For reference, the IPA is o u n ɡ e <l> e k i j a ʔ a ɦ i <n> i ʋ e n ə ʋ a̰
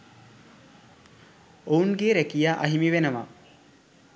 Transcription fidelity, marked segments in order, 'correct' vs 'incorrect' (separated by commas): incorrect, incorrect